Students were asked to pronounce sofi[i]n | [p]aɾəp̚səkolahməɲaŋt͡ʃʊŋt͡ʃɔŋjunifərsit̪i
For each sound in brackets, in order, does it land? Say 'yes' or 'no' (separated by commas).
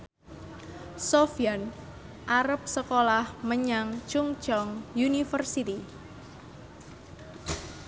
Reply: no, no